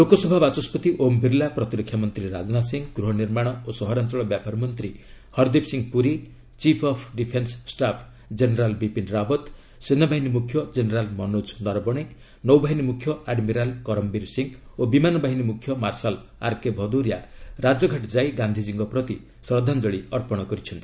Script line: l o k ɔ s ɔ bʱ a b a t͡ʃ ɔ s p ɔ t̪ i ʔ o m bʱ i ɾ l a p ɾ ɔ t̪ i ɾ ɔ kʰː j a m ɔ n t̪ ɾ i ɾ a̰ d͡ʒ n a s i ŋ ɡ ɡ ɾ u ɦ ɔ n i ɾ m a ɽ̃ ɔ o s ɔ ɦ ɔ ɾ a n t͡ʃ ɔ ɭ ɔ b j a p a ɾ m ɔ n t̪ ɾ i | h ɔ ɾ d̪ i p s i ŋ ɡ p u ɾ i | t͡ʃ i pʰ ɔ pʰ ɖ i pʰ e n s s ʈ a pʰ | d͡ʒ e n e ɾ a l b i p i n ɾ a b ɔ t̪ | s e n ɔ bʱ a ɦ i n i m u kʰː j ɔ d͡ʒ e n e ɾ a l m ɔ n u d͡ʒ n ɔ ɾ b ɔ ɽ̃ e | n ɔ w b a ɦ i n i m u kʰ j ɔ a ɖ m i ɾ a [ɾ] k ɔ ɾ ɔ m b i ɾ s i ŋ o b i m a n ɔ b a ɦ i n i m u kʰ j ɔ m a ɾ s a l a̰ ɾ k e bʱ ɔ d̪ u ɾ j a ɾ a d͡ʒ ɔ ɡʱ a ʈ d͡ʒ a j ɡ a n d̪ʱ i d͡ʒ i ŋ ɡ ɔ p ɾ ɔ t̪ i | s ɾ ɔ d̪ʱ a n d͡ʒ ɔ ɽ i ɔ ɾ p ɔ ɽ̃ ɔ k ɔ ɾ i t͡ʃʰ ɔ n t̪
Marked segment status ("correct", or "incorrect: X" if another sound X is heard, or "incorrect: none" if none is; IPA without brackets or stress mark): incorrect: l